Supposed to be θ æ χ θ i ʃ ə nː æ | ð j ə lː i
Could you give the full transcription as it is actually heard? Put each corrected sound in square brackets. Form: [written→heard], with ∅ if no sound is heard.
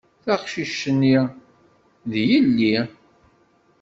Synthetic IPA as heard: θ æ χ [θ→ʃ] i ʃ ə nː [æ→i] | ð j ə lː i